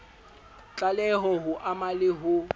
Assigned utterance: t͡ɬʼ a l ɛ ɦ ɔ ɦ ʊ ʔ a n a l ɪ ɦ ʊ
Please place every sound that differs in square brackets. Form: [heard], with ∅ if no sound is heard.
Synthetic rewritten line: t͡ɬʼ a l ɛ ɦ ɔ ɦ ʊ ʔ a [m] a l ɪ ɦ ʊ